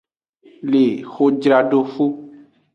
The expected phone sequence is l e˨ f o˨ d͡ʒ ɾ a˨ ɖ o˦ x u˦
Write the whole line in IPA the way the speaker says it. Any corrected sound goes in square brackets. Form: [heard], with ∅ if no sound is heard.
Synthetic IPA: l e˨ [x] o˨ d͡ʒ ɾ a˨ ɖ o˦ [f] u˦